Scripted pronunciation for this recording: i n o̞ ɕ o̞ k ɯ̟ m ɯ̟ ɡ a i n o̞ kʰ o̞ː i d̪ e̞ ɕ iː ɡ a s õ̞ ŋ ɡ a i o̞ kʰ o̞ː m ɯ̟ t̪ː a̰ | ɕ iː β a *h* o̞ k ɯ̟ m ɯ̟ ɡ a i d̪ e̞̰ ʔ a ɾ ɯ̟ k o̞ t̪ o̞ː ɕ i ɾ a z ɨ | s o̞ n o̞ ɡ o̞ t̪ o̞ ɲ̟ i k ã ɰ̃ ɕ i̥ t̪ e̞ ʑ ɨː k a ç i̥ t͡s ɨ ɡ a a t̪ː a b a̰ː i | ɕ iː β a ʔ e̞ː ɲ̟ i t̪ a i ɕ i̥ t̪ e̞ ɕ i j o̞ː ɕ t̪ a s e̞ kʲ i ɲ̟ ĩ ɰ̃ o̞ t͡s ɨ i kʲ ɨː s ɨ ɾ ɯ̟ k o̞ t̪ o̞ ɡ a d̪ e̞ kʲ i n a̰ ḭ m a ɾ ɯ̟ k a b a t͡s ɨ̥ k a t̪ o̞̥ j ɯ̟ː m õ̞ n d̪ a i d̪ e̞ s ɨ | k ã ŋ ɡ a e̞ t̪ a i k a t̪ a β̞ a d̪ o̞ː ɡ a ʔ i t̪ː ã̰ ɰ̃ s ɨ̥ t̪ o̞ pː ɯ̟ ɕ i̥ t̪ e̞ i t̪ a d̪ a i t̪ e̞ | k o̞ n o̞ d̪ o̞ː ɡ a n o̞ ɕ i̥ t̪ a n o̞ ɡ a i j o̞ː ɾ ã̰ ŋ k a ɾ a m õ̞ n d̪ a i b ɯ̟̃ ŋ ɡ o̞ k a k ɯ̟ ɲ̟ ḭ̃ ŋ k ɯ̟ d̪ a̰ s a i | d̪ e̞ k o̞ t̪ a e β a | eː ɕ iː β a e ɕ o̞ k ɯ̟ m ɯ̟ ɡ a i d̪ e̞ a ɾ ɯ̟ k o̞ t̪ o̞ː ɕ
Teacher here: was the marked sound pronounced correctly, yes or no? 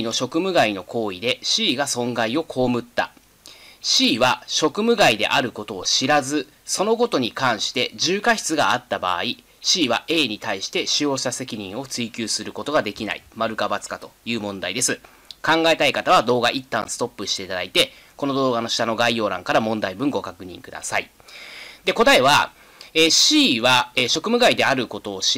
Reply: no